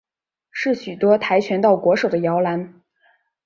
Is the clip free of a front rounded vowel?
no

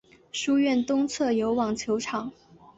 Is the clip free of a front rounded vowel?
yes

